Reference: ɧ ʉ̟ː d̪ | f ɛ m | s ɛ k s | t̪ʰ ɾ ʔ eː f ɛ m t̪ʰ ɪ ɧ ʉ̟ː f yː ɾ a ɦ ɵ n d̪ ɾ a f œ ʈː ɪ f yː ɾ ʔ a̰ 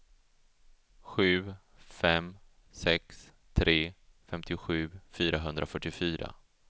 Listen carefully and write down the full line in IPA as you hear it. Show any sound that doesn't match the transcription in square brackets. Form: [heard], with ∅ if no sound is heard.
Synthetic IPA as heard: ɧ ʉ̟ː [∅] | f ɛ m | s ɛ k s | t̪ʰ ɾ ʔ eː f ɛ m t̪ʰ ɪ ɧ ʉ̟ː f yː ɾ a ɦ ɵ n d̪ ɾ a f œ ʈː ɪ f yː ɾ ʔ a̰